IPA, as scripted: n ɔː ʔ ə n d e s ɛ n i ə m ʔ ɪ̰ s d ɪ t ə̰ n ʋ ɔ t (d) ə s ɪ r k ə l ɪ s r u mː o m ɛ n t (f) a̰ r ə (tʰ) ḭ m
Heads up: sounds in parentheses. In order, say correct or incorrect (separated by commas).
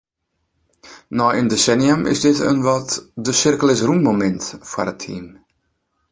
correct, correct, correct